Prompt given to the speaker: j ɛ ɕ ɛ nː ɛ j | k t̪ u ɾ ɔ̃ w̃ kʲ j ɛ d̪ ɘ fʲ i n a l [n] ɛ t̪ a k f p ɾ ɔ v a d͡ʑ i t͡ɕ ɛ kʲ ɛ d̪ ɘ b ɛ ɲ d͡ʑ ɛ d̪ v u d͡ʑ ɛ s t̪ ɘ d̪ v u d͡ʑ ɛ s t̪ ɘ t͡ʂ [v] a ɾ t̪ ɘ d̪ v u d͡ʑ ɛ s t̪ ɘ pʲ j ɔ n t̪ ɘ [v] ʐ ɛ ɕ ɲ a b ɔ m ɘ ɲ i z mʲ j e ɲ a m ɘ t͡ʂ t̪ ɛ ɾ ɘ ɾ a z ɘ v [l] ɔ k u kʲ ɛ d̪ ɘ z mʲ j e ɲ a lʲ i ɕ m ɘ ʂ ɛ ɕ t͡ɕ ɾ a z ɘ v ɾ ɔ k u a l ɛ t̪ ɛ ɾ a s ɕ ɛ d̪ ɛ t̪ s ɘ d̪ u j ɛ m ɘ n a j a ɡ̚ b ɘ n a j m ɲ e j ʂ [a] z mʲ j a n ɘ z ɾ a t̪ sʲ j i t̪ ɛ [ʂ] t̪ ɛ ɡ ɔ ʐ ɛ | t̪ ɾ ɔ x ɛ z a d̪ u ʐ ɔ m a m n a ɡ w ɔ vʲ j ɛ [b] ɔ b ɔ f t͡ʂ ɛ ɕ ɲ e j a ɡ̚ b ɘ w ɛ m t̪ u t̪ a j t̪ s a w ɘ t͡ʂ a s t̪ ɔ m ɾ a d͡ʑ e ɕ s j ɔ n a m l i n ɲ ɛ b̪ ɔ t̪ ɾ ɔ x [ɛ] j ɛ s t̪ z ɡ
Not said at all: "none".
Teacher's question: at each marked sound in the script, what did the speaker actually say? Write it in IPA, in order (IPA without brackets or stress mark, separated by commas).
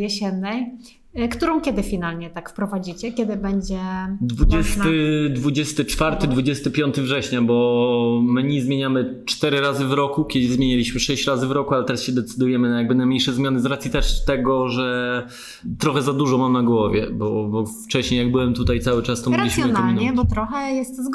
ɲ, f, v, ɾ, ɛ, ʂ, b, ɛ